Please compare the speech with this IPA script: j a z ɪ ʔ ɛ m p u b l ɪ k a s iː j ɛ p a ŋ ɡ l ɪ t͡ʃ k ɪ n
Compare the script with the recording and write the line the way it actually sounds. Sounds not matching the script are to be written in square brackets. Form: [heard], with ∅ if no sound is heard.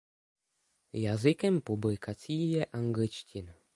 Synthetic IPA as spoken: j a z ɪ [k] ɛ m p u b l ɪ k a [t͡s] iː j ɛ [ʔ] a ŋ ɡ l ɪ t͡ʃ [c] ɪ n

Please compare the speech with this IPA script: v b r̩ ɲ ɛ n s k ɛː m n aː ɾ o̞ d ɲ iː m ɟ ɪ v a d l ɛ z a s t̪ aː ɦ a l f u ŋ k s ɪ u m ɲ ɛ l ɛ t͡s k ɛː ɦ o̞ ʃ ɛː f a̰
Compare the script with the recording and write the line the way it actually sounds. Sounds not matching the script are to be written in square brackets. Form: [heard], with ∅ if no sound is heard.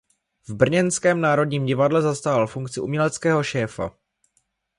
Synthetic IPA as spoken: v b r̩ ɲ ɛ n s k ɛː m n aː ɾ o̞ d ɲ iː m ɟ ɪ v a d l ɛ z a s t̪ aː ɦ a l f u ŋ k [t͡s] ɪ u m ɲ ɛ l ɛ t͡s k ɛː ɦ o̞ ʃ ɛː f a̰

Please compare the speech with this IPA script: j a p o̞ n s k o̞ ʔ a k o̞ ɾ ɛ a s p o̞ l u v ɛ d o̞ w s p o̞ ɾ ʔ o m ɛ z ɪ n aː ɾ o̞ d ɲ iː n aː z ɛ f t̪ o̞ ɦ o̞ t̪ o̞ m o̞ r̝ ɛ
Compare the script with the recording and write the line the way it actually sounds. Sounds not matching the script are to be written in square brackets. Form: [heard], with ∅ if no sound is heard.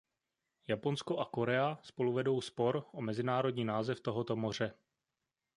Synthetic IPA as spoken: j a p o̞ n s k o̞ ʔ a k o̞ ɾ ɛ a s p o̞ l u v ɛ d o̞ w s p o̞ ɾ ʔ o m ɛ z ɪ n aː ɾ o̞ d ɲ iː n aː z ɛ f t̪ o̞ ɦ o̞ t̪ o̞ m o̞ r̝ ɛ

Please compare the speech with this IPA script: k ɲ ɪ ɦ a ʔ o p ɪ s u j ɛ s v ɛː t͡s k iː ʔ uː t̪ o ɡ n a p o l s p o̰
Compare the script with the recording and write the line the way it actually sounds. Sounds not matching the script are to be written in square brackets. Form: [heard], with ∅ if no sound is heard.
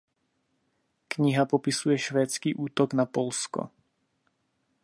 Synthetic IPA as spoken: k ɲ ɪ ɦ a [p] o p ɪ s u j ɛ [ʃ] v ɛː t͡s k iː ʔ uː t̪ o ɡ n a p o l s [k] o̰

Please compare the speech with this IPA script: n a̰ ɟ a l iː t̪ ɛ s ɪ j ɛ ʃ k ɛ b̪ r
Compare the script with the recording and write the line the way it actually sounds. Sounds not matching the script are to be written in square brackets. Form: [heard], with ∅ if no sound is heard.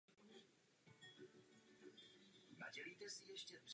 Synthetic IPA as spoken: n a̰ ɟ [ɛ] l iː t̪ ɛ s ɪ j ɛ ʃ [c] ɛ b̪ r

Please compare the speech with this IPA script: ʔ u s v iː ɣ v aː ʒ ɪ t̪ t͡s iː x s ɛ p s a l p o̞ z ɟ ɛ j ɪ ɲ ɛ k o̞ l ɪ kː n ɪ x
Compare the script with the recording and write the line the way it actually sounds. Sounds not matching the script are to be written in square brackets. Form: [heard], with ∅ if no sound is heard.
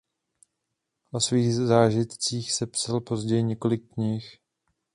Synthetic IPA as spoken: ʔ [o] s v iː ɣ [z] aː ʒ ɪ t̪ t͡s iː x s ɛ p s a l p o̞ z ɟ ɛ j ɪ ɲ ɛ k o̞ l ɪ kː [ɲ] ɪ x

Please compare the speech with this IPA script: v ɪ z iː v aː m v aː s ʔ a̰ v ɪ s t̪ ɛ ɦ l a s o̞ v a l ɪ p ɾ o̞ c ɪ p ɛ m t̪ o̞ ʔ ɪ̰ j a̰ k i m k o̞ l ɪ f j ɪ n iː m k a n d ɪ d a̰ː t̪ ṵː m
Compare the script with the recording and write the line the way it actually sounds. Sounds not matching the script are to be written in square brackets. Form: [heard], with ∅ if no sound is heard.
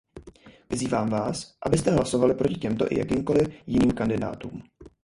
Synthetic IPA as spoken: v ɪ z iː v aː m v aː s ʔ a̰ [b] ɪ s t̪ ɛ ɦ l a s o̞ v a l ɪ p ɾ o̞ c ɪ [c] ɛ m t̪ o̞ ʔ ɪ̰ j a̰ k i m k o̞ l ɪ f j ɪ n iː m k a n d ɪ d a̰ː t̪ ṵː m

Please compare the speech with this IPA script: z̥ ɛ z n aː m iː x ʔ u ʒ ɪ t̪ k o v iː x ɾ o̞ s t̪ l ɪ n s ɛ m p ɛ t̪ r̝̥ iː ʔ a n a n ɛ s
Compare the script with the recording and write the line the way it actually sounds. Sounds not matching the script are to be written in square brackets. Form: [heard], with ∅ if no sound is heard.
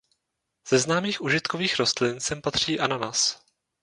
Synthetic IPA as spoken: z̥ ɛ z n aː m iː x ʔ u ʒ ɪ t̪ k o v iː x ɾ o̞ s t̪ l ɪ n s ɛ m p [a] t̪ r̝̥ iː ʔ a n a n [a] s

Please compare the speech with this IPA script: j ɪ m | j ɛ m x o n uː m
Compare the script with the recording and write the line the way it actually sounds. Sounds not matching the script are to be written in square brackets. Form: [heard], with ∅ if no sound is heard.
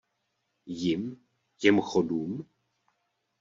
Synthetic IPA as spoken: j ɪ m | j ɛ m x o [d] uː m

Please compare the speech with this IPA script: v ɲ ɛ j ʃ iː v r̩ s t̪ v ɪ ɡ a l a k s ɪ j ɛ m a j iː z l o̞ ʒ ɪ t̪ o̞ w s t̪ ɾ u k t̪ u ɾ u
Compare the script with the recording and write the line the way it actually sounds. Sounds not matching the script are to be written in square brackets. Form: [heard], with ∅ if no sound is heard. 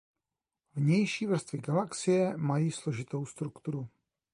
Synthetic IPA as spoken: v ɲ ɛ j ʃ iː v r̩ s t̪ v ɪ ɡ a l a k s ɪ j ɛ m a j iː [s] l o̞ ʒ ɪ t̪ o̞ w s t̪ ɾ u k t̪ u ɾ u

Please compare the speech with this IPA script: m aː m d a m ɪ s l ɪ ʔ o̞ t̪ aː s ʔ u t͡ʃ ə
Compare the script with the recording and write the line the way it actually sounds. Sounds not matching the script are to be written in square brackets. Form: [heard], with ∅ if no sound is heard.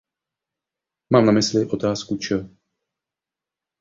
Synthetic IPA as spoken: m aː m [n] a m ɪ s l ɪ ʔ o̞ t̪ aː s [k] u t͡ʃ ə

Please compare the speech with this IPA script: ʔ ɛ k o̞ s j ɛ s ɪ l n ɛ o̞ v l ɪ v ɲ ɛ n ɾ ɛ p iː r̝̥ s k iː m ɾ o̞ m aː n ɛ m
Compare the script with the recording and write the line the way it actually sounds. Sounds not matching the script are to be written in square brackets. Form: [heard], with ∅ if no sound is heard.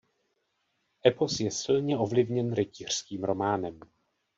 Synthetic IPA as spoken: ʔ ɛ [p] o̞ s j ɛ s ɪ l [ɲ] ɛ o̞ v l ɪ v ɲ ɛ n ɾ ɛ [c] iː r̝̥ s k iː m ɾ o̞ m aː n ɛ m

